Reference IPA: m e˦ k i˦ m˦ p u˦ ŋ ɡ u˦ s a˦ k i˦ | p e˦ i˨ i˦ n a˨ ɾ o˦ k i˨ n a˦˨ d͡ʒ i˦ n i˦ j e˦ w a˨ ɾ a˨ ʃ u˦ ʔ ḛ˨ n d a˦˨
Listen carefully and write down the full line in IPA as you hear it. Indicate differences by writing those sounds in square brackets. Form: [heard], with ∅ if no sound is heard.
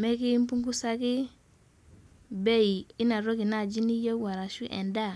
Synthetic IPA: m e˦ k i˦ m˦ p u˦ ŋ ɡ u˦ s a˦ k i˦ | [b] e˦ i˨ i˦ n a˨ ɾ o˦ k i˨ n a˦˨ d͡ʒ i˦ n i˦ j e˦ w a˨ ɾ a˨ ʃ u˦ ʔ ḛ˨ n d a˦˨